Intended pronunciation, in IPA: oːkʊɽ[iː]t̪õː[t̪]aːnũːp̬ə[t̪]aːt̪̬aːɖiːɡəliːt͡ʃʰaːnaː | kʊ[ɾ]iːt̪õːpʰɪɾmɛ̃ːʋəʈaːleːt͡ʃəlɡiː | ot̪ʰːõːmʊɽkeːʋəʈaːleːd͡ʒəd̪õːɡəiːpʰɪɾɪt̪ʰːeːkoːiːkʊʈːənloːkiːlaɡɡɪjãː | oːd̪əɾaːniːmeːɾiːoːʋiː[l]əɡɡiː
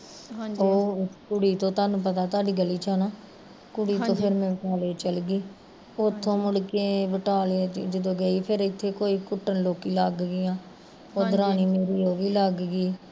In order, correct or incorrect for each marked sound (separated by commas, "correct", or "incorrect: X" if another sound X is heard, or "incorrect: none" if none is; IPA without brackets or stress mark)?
correct, correct, correct, incorrect: ɽ, correct